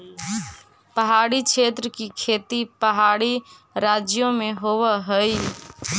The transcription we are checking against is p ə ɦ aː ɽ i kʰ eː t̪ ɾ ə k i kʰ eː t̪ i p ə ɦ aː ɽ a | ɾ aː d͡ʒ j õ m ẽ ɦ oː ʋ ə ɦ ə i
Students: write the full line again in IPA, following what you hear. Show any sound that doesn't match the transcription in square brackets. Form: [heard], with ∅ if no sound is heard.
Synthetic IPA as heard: p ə ɦ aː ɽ i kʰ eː t̪ ɾ ə k i kʰ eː t̪ i p ə ɦ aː ɽ [i] | ɾ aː d͡ʒ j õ m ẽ ɦ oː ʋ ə ɦ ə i